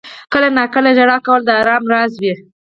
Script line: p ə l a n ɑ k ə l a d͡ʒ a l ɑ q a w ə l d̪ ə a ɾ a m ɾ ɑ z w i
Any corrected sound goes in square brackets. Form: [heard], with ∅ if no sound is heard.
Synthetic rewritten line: [k] ə l a n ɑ k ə l a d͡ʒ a [ɽ] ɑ [k] a w ə l d̪ ə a ɾ [ɑ] m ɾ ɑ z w i

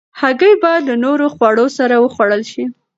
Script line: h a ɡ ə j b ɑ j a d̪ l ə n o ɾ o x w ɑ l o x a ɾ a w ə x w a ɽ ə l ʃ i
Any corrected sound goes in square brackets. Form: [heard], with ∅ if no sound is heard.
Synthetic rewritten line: h a ɡ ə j b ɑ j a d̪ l ə n o ɾ o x w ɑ [ɽ] o [s] a ɾ a w ə x w a ɽ ə l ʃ i

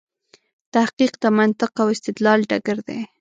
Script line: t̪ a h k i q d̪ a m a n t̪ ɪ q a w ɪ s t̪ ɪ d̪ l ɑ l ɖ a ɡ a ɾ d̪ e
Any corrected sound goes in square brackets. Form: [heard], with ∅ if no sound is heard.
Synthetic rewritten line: t̪ a h [q] i q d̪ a m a n t̪ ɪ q a w ɪ s t̪ ɪ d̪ l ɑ l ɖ a ɡ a ɾ d̪ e

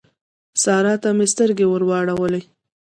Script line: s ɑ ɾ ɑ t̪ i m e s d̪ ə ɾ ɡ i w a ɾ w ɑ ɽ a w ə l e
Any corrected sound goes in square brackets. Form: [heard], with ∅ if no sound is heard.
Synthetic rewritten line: s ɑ ɾ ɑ t̪ [a] m e s [t̪] ə ɾ ɡ [e] w [ə] ɾ w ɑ ɽ a w ə l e

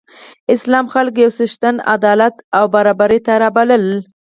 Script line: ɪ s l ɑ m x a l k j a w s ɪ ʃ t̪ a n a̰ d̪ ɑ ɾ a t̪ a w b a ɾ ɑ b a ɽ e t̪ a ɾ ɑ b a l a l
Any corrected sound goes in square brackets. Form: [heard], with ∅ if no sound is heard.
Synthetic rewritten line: ɪ s l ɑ m x a l k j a w s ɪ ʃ t̪ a n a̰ d̪ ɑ [l] a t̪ a w b a ɾ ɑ b a [ɾ] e t̪ a ɾ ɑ b a l [ə] l

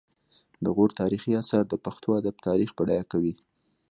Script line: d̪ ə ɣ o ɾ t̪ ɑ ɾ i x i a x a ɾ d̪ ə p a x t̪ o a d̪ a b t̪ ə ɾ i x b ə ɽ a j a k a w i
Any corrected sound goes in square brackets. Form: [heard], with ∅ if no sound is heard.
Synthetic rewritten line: d̪ ə ɣ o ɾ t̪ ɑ ɾ i x i a [s] a ɾ d̪ ə p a x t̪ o a d̪ a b t̪ [ɑ] ɾ i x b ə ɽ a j a k a w i

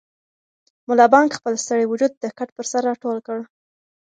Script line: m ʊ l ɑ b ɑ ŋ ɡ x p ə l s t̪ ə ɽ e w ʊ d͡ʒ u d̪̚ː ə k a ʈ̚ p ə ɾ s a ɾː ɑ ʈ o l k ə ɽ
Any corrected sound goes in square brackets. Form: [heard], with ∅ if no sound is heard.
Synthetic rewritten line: m ʊ l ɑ b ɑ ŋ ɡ x p ə l s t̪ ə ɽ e w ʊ d͡ʒ u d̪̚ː ə k a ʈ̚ p ə ɾ s a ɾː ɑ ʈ o l k ə ɽ

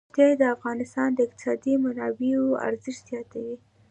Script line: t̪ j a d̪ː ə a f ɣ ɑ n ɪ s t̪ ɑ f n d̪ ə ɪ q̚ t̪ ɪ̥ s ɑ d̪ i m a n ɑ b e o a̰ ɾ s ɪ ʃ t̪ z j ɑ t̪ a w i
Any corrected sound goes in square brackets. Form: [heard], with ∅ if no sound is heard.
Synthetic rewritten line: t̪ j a [d̪] ə a f ɣ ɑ n ɪ s t̪ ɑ [∅] n d̪ ə ɪ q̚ t̪ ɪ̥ s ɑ d̪ i m a n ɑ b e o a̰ ɾ [z] ɪ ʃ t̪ z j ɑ t̪ a w i

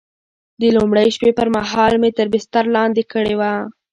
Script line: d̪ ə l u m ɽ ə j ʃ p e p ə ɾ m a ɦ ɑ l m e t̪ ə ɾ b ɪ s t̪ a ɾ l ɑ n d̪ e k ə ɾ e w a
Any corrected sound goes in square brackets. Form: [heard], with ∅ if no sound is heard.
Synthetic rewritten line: d̪ ə l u m ɽ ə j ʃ p e p ə ɾ m a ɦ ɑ l m e t̪ ə ɾ b ɪ s t̪ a ɾ l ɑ n d̪ e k ə [ɽ] e w a

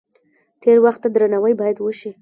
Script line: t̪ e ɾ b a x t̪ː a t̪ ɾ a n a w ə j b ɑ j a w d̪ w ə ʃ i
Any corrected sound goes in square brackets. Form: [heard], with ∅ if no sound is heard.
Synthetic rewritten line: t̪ e ɾ [w] a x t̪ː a [d̪] ɾ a n a w ə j b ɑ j a [∅] d̪ w ə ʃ i

